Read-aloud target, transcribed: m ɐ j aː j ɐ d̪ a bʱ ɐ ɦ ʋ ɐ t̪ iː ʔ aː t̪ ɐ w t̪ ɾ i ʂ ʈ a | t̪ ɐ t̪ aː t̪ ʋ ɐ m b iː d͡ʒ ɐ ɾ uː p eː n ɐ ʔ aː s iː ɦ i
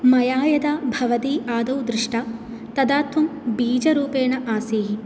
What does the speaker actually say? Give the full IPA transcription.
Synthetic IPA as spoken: m ɐ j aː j ɐ d̪ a bʱ ɐ ʋ ɐ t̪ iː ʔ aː d̪ ɐ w d̪ ɾ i ʂ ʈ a | t̪ ɐ d̪ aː t̪ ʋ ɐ m b iː d͡ʒ ɐ ɾ uː p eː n ɐ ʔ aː s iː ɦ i